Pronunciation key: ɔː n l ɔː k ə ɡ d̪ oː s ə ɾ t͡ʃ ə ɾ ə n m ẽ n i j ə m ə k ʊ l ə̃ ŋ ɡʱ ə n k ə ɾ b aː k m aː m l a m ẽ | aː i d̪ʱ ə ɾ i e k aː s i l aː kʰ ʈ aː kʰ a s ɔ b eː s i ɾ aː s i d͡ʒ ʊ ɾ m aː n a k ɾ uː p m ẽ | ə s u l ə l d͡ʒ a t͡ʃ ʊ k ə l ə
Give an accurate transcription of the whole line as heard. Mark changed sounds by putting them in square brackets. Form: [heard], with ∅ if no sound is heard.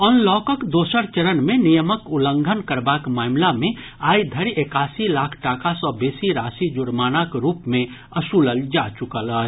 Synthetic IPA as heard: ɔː n l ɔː k ə [k] d̪ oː s ə ɾ t͡ʃ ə ɾ ə n m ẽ n i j ə m ə k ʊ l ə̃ ŋ ɡʱ ə n k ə ɾ b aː k m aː m l a m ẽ | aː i d̪ʱ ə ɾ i e k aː s i l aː kʰ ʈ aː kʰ a s ɔ b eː s i ɾ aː s i d͡ʒ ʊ ɾ m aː n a k ɾ uː p m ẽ | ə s u l ə l d͡ʒ a t͡ʃ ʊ k ə l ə